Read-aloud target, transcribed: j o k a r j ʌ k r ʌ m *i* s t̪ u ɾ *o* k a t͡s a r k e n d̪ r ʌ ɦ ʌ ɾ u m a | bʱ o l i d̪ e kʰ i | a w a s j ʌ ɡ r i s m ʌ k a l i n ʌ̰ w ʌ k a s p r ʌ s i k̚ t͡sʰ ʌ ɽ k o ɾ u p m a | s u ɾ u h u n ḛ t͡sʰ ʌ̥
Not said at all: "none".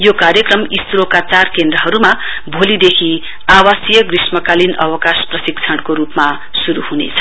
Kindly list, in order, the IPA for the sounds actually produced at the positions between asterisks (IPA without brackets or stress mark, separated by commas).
i, o